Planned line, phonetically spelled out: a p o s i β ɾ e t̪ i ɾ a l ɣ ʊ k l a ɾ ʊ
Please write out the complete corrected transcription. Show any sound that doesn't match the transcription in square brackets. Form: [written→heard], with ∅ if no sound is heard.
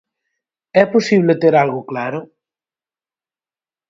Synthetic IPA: [a→ɛ] p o s i β [ɾ→l] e t̪ [i→e] ɾ a l ɣ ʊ k l a ɾ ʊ